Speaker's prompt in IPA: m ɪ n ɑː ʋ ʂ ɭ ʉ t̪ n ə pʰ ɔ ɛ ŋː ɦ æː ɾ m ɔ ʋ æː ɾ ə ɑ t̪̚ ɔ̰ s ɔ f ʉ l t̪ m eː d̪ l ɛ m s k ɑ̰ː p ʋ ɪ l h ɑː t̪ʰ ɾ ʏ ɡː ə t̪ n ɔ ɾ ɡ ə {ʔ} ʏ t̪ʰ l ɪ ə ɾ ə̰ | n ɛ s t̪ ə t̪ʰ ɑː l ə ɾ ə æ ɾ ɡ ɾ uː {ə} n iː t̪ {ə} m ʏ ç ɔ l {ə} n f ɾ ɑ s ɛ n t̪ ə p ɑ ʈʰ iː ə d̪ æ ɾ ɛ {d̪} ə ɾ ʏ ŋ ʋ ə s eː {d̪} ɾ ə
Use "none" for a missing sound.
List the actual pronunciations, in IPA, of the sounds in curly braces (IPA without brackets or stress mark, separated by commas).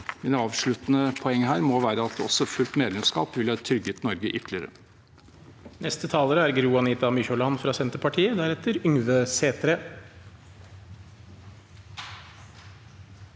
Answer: ʔ, ɑ, ɑ, ɑ, t̪, t̪